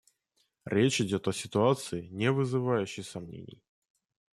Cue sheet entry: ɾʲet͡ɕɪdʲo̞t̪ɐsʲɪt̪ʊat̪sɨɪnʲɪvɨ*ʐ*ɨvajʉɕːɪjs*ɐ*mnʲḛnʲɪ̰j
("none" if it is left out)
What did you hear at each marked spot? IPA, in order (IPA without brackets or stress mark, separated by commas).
z, ɐ